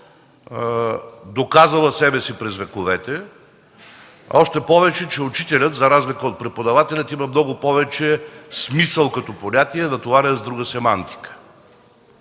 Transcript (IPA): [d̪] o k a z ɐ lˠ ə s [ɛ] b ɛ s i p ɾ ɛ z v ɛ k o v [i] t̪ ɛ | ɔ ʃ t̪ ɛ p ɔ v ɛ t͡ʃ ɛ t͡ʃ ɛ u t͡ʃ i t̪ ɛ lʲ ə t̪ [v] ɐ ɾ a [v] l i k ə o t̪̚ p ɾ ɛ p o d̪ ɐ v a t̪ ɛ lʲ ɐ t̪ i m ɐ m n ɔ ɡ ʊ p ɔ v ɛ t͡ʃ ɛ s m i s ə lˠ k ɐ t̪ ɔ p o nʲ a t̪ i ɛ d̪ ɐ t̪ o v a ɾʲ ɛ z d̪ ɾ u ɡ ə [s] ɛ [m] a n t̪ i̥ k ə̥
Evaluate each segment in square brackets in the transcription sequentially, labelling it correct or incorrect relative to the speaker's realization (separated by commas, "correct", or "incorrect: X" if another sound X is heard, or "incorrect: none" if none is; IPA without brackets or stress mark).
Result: correct, correct, incorrect: ɛ, incorrect: z, incorrect: z, correct, correct